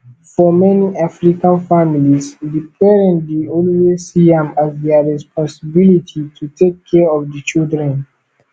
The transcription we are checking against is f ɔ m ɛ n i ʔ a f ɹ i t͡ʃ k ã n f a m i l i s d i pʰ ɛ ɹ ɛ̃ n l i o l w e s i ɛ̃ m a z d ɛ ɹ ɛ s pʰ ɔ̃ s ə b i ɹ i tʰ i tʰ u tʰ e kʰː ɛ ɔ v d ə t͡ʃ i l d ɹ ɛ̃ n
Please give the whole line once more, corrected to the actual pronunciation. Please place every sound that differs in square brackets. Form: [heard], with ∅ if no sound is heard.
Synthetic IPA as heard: f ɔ m ɛ n i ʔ a f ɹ i [∅] k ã n f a m i l i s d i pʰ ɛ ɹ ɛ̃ n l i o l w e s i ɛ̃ m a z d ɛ ɹ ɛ s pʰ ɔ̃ s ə b i [l] i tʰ i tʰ u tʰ e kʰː ɛ ɔ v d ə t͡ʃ i l d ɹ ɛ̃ n